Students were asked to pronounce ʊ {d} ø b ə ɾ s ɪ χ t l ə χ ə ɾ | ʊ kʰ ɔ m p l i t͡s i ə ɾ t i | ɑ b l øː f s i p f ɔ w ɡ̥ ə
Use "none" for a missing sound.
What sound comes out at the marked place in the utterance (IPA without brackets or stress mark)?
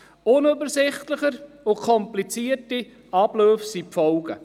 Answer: n